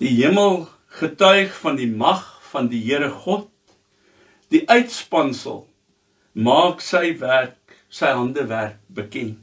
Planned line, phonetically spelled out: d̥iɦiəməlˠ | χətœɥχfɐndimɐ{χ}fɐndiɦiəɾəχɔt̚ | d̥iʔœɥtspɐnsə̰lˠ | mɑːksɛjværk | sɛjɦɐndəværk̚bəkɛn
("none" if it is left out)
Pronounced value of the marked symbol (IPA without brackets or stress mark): χ